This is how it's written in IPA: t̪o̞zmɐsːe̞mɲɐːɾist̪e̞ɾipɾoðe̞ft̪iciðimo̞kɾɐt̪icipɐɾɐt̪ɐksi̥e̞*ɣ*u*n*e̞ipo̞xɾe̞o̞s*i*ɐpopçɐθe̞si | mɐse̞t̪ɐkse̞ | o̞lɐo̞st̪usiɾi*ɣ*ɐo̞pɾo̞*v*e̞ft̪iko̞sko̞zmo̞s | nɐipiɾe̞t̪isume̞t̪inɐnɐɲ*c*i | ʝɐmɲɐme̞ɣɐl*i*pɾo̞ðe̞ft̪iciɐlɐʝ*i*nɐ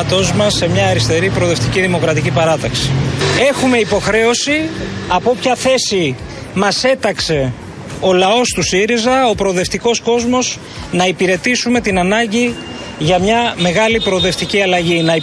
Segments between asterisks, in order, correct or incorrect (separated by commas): incorrect, incorrect, correct, incorrect, incorrect, incorrect, correct, correct